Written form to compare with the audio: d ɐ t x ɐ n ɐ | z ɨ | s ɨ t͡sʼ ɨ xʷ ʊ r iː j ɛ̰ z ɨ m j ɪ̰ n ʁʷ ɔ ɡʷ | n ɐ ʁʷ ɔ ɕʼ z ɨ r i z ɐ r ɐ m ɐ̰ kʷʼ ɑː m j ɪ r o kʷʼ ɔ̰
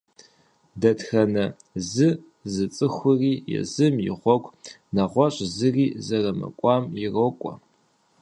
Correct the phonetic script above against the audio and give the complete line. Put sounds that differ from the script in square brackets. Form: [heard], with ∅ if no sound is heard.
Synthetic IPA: d ɐ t x ɐ n ɐ | z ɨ | [z] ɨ t͡sʼ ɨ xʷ ʊ r iː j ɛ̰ z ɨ m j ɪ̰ [∅] ʁʷ ɔ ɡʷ | n ɐ ʁʷ ɔ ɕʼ z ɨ r [iː] z ɐ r ɐ m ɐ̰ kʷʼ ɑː m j ɪ r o kʷʼ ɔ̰